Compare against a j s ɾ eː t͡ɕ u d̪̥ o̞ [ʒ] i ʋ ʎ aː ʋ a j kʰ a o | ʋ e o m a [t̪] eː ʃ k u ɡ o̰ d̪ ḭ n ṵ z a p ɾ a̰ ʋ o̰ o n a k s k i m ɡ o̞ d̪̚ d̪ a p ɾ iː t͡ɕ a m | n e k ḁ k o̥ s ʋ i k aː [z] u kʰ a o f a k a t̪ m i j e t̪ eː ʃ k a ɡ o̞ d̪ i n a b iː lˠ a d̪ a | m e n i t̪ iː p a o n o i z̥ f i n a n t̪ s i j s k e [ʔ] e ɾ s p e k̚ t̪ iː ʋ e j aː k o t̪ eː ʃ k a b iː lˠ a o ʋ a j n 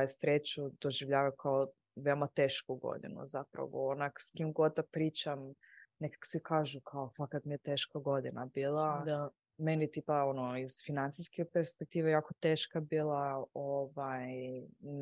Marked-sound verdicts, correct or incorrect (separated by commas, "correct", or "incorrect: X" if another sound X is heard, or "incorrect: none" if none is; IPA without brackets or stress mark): correct, correct, incorrect: ʒ, incorrect: p